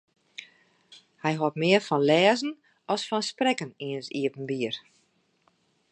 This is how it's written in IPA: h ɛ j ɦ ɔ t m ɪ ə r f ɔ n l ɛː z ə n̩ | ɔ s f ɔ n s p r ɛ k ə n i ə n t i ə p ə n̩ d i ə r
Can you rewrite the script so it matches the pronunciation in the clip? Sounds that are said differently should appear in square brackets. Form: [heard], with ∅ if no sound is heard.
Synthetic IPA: h ɛ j ɦ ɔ t m ɪ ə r f ɔ n l ɛː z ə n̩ | ɔ s f ɔ n s p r ɛ k ə n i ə n [s] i ə p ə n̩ [b] i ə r